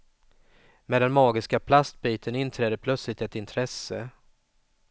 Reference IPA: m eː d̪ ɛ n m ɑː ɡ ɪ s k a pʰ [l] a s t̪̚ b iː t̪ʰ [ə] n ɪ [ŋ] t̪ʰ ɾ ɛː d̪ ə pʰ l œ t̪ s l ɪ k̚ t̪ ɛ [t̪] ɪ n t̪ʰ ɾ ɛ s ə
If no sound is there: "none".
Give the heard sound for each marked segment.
l, ə, n, t̪

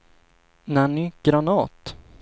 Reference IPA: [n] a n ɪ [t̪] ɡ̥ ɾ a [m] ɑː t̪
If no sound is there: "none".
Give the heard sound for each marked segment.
n, none, n

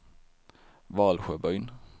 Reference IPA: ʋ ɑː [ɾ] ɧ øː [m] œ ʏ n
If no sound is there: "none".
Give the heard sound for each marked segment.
l, b

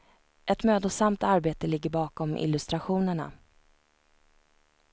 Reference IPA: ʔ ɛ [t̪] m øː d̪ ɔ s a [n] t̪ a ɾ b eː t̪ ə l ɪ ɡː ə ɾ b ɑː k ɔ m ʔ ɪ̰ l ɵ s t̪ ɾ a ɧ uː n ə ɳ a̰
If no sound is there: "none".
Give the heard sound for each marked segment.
t̪, m

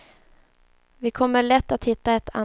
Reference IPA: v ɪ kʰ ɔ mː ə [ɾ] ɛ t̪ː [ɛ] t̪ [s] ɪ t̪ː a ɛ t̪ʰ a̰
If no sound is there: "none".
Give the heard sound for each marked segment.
ɭ, a, h

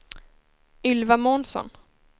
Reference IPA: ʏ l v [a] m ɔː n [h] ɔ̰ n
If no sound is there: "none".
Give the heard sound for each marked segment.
a, s

